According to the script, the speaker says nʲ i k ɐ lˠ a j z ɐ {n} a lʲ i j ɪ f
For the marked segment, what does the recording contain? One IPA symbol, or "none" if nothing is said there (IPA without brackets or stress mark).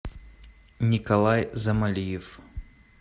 m